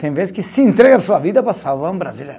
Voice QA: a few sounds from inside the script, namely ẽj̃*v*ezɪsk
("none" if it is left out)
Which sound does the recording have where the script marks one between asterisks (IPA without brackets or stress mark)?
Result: v